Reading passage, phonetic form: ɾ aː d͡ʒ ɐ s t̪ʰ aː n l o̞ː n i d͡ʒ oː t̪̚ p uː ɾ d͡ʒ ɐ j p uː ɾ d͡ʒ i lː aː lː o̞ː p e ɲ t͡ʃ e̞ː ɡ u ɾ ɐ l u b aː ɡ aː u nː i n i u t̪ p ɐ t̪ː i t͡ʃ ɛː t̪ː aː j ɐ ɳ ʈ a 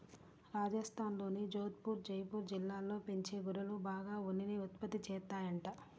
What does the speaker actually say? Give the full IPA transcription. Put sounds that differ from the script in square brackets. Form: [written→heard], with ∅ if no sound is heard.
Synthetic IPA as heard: ɾ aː d͡ʒ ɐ s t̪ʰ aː n l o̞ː n i d͡ʒ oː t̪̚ p uː ɾ d͡ʒ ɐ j p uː ɾ d͡ʒ i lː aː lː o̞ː p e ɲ t͡ʃ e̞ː ɡ u ɾ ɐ l u b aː ɡ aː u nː i n i u t̪ p ɐ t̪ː i t͡ʃ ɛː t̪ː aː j ɐ ɳ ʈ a